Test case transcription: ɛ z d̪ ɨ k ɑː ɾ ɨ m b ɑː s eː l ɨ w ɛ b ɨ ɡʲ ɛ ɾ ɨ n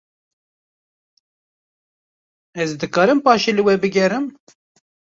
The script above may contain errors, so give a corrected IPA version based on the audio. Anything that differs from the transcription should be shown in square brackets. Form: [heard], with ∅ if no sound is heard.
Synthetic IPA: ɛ z d̪ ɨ k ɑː ɾ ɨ m [p] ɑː [ʃ] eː l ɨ w ɛ b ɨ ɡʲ ɛ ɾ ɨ [m]